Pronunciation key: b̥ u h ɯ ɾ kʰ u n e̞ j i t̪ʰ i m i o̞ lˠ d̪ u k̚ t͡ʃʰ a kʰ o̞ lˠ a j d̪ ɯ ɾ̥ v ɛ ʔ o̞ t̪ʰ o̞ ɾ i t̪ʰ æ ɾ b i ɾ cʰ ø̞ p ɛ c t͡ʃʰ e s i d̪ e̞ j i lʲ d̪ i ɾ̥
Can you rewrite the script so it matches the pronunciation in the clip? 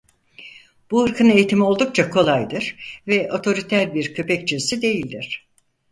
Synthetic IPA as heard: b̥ u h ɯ ɾ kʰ ɯ n e̞ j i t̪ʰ i m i o̞ lˠ d̪ u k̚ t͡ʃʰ a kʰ o̞ lˠ a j d̪ ɯ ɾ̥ v ɛ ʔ o̞ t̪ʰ o̞ ɾ i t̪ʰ æ ɾ b i ɾ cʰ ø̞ p ɛ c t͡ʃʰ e s i d̪ e̞ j i lʲ d̪ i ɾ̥